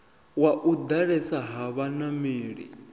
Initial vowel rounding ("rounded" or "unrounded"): unrounded